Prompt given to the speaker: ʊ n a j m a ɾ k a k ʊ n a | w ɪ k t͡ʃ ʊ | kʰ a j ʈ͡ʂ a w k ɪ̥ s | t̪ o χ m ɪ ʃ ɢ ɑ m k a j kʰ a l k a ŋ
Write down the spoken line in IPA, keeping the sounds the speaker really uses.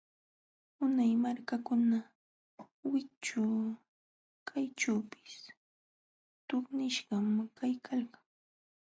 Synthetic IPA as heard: ʊ n a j m a ɾ k a k ʊ n a | w ɪ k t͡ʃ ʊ | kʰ a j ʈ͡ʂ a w p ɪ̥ s | t̪ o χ n ɪ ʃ ɢ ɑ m k a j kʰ a l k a ŋ